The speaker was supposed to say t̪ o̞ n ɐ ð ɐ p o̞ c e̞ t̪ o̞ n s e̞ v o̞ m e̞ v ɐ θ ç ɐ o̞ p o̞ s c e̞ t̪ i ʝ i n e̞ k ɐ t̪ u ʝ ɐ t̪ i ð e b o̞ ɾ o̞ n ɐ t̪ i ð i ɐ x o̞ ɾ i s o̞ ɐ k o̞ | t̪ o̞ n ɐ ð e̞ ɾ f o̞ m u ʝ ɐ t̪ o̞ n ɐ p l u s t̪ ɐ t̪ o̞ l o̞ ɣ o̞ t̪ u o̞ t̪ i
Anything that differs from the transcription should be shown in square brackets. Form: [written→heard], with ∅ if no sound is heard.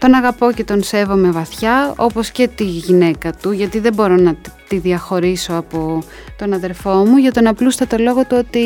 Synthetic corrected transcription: t̪ o̞ n ɐ [ð→ɣ] ɐ p o̞ c e̞ t̪ o̞ n s e̞ v o̞ m e̞ v ɐ θ ç ɐ o̞ p o̞ s c e̞ t̪ i ʝ i n e̞ k ɐ t̪ u ʝ ɐ t̪ i ð e b o̞ ɾ o̞ n ɐ t̪ i ð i ɐ x o̞ ɾ i s o̞ ɐ [k→p] o̞ | t̪ o̞ n ɐ ð e̞ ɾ f o̞ m u ʝ ɐ t̪ o̞ n ɐ p l u s t̪ ɐ t̪ o̞ l o̞ ɣ o̞ t̪ u o̞ t̪ i